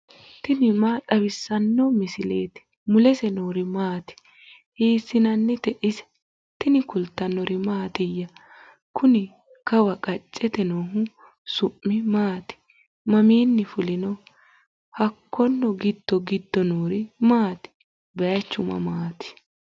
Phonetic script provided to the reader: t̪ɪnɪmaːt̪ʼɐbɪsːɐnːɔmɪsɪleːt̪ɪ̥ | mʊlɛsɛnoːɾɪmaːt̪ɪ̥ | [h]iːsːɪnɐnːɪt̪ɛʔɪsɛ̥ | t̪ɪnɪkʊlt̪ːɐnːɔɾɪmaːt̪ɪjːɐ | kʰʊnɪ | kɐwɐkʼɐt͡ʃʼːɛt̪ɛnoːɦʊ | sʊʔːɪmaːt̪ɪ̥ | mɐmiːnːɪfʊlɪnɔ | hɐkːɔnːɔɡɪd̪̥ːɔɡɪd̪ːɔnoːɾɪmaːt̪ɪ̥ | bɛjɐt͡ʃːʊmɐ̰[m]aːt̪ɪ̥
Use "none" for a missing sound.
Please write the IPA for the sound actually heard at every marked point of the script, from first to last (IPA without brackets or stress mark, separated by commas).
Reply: h, m